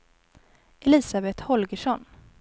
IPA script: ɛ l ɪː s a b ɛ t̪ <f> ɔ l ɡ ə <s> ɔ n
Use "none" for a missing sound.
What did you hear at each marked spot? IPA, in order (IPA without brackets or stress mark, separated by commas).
h, ʂ